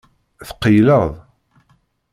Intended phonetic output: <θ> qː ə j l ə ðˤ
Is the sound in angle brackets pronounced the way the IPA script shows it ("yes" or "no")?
yes